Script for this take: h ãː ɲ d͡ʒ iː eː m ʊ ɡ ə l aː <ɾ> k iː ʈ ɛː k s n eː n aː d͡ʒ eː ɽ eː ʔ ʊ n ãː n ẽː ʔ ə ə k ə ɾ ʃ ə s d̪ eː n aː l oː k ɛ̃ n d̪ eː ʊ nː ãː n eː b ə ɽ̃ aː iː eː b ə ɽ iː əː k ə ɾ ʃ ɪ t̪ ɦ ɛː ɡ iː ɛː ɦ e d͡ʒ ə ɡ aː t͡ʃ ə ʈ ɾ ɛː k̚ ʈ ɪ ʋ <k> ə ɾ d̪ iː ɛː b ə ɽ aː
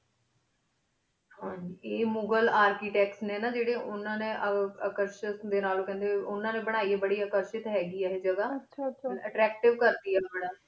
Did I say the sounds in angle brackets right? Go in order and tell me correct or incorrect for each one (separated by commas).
correct, correct